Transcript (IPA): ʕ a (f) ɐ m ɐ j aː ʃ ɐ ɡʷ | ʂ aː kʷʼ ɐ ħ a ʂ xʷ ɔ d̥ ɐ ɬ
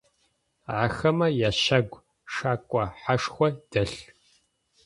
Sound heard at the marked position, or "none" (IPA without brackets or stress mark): x